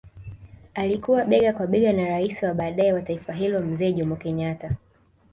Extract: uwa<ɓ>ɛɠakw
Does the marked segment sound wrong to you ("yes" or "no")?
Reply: no